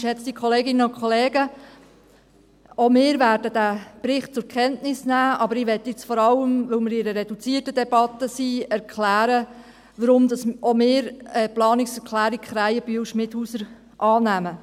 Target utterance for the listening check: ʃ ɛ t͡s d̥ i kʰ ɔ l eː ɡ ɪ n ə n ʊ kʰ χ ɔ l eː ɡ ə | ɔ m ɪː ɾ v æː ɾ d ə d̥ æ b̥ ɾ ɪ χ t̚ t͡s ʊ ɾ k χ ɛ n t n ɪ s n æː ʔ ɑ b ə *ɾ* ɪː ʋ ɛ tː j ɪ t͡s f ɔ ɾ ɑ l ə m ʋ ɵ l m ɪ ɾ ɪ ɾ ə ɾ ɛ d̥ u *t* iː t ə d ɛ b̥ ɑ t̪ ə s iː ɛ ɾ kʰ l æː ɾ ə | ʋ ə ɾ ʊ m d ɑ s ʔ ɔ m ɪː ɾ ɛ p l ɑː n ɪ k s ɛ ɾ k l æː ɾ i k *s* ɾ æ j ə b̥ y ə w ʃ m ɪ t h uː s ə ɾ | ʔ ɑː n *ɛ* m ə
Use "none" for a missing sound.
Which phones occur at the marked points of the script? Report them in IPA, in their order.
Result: ɾ, t͡s, χ, æ

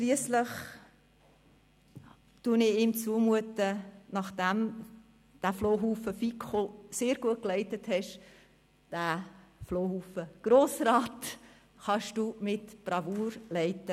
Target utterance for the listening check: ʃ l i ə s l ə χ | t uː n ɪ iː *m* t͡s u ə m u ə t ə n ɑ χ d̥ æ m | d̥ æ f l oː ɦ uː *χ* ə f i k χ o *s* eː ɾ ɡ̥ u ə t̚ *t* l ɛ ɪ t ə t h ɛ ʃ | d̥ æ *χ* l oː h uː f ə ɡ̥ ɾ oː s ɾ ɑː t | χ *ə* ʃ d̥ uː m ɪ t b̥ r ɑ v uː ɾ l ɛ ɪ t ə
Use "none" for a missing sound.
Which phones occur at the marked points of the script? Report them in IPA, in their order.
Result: m, f, s, k, f, ɑ

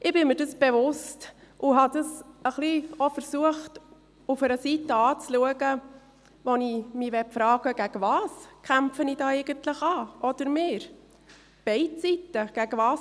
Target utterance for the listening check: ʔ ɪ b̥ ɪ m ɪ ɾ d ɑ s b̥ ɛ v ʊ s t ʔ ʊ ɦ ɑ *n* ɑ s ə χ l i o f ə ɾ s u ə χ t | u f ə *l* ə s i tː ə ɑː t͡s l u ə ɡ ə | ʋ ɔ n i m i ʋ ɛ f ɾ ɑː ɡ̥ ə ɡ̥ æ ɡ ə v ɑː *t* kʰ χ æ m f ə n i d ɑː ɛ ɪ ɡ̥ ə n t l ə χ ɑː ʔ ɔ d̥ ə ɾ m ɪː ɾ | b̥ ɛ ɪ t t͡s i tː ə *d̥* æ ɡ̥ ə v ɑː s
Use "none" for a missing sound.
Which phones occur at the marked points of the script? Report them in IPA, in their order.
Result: d, ɾ, s, ɡ̥

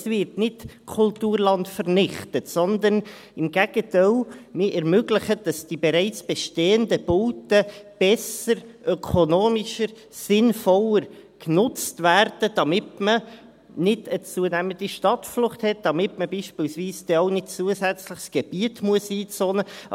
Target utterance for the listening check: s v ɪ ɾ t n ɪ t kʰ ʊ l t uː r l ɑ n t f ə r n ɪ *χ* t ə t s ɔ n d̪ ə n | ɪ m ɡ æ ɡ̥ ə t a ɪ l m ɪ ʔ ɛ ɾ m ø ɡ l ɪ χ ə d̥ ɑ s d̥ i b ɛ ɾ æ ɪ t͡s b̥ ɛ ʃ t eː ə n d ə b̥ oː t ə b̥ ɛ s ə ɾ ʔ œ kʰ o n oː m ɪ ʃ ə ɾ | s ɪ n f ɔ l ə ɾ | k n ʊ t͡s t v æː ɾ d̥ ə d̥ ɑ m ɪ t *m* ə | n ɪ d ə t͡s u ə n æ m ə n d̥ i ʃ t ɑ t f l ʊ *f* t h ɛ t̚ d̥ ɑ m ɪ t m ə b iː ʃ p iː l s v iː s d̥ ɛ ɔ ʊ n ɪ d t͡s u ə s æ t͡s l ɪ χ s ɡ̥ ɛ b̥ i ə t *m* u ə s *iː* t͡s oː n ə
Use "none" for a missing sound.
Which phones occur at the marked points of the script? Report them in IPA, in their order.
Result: χ, m, χ, m, iː

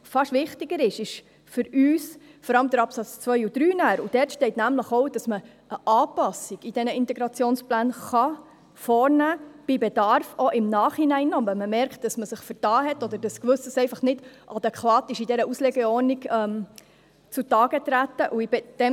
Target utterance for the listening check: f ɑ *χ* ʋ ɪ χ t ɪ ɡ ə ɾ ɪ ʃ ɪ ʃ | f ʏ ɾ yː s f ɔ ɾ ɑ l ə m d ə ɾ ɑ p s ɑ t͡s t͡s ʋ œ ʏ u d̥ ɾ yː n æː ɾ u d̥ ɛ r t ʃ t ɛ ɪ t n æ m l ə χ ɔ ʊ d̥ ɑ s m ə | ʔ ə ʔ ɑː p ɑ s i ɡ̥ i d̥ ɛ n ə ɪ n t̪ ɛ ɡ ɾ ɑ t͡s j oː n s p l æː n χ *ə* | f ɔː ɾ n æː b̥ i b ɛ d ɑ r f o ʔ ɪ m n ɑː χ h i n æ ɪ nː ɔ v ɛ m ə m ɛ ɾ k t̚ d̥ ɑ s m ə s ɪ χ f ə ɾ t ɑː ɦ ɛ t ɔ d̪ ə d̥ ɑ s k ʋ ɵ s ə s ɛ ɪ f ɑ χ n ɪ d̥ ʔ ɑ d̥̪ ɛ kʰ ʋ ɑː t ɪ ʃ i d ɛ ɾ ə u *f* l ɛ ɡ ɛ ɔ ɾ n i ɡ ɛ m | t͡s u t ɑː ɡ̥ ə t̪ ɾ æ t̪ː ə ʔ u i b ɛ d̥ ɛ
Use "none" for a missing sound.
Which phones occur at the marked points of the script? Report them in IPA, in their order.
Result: ʃ, ɑ, s

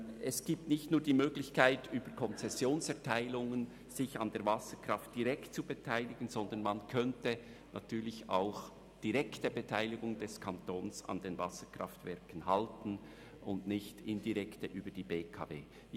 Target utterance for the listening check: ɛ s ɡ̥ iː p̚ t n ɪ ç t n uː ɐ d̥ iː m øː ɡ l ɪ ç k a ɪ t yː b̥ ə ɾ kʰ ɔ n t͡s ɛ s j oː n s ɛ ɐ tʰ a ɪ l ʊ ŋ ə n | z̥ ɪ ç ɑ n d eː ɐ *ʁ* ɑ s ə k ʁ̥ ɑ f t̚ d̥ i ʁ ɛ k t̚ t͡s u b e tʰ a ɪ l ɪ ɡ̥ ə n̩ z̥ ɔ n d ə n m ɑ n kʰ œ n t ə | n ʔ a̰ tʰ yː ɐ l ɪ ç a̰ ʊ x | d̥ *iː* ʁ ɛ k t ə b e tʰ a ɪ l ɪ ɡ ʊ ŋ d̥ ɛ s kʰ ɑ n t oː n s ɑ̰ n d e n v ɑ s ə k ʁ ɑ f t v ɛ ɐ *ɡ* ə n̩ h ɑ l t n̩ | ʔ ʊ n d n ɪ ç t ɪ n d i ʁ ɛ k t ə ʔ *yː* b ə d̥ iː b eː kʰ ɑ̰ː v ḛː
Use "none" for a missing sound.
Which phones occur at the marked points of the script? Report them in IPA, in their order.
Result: v, i, k, yː

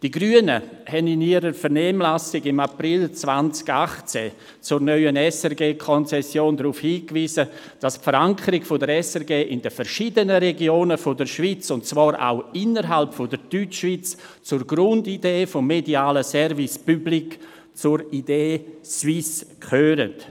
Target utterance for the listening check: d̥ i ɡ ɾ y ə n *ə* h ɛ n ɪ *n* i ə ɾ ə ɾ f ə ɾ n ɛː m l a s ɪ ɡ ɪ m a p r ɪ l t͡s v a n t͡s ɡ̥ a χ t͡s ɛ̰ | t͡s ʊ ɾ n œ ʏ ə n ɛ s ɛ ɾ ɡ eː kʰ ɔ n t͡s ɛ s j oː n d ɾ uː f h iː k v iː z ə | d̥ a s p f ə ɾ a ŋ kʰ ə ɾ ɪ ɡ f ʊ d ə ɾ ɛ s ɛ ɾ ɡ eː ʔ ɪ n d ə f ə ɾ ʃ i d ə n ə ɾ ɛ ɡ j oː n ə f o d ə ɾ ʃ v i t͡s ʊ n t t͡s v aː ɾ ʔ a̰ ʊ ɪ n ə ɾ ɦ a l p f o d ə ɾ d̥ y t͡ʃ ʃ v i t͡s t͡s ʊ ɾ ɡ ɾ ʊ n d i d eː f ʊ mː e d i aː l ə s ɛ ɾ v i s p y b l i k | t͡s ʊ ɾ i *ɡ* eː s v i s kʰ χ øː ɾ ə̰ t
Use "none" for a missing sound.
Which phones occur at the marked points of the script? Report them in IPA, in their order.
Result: ə, n, d

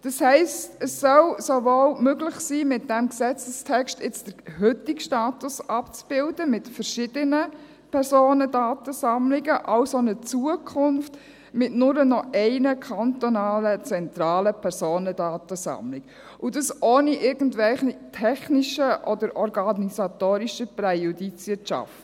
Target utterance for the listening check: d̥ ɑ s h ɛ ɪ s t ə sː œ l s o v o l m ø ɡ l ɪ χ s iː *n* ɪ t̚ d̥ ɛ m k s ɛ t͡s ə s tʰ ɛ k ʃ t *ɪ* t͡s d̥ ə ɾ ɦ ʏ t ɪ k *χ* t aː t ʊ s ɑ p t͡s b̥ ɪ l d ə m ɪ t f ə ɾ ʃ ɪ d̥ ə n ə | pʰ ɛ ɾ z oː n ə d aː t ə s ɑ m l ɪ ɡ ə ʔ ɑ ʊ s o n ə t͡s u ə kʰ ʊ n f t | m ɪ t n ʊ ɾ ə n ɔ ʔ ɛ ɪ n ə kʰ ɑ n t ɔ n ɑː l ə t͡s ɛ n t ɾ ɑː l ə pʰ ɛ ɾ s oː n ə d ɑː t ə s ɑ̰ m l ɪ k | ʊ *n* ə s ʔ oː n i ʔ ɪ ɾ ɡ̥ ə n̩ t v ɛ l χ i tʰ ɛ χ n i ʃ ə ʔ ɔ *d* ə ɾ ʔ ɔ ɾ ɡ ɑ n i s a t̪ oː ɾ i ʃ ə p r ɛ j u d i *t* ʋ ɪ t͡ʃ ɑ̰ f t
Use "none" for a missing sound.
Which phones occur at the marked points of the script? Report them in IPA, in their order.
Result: m, ɪ, ʃ, d, d, t͡s

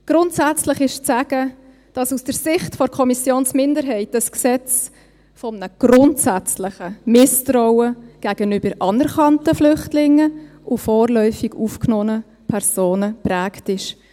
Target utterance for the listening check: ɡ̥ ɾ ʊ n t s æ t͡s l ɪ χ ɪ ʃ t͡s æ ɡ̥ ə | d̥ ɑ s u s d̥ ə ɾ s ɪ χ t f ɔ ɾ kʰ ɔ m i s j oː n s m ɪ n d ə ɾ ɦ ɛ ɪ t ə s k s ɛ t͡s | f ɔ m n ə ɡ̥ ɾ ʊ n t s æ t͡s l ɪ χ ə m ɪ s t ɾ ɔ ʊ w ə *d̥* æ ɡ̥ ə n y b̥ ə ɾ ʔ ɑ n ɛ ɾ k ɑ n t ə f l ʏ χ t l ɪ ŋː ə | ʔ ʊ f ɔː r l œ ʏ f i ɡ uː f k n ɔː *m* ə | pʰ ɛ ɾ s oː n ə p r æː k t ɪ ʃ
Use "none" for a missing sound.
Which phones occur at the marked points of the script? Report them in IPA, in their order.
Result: ɡ̥, n

